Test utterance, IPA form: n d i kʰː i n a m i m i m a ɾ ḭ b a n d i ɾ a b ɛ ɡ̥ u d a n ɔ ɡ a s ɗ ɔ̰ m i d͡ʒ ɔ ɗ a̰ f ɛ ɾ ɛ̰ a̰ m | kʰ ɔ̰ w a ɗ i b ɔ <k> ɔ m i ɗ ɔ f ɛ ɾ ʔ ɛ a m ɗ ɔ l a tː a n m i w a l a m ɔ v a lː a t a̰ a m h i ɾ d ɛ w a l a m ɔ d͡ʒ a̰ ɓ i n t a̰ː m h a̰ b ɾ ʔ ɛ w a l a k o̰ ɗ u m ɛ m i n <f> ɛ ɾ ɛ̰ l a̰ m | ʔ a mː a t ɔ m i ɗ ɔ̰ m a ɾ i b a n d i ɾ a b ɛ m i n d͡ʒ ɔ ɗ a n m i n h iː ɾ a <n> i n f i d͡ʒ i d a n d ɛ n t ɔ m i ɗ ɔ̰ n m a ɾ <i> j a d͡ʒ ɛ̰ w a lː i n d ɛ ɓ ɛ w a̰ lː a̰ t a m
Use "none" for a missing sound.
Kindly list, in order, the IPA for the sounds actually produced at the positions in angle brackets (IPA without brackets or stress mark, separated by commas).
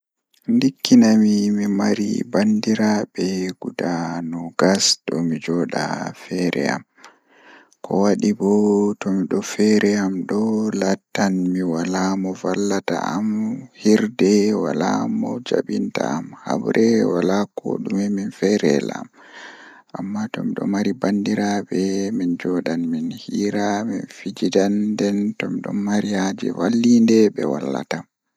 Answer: t, f, m, i